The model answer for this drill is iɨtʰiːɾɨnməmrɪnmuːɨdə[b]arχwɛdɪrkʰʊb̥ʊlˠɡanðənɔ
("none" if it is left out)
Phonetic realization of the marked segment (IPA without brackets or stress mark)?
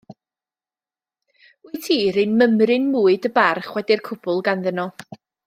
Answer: b